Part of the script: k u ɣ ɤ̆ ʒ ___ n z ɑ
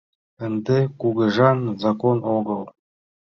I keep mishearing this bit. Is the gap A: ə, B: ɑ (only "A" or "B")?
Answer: B